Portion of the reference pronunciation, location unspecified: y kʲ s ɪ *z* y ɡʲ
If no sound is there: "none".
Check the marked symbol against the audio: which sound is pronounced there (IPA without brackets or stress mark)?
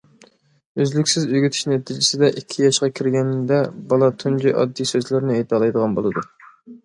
z